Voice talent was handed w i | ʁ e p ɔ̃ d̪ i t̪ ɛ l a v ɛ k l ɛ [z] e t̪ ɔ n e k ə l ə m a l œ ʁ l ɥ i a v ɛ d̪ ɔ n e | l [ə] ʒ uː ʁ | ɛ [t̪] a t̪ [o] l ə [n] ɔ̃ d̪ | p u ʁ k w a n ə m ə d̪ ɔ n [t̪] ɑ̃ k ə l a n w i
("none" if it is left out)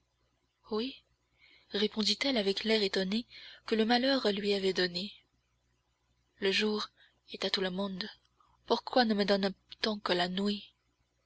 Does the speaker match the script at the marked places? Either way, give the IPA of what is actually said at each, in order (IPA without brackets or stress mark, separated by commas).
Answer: ʁ, ə, t̪, u, m, t̪